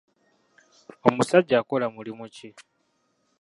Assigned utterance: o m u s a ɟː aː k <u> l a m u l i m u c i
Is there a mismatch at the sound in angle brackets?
yes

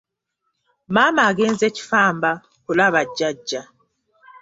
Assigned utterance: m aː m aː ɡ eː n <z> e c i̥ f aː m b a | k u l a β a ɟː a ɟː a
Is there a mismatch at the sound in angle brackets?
no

